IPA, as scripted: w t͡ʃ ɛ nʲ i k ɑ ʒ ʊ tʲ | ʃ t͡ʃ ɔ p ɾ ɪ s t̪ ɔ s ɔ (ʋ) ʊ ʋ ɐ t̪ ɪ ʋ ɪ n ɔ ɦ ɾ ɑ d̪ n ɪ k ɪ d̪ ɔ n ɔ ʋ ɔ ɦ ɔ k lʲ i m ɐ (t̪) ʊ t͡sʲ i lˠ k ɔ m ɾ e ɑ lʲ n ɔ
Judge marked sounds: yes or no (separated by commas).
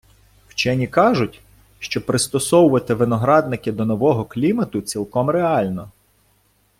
no, yes